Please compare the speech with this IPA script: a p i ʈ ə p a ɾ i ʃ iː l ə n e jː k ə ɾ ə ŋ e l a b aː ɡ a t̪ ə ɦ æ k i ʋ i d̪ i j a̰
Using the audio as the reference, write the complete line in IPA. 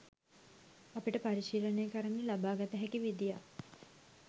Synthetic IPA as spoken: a p i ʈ ə p a ɾ i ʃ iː l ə n e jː k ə ɾ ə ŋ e l a b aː ɡ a t̪ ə ɦ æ k i ʋ i d̪ i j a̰